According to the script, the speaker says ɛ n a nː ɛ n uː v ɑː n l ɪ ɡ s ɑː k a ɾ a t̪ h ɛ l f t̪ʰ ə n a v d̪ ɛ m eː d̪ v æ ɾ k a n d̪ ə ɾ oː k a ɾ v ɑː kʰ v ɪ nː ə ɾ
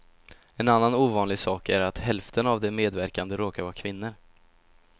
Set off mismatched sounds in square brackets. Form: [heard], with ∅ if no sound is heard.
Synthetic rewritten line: ɛ n a nː [a] n uː v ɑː n l ɪ ɡ s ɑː k [æ] ɾ a t̪ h ɛ l f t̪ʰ ə n a v d̪ ɛ m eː d̪ v æ ɾ k a n d̪ ə ɾ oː k a ɾ v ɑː kʰ v ɪ nː ə ɾ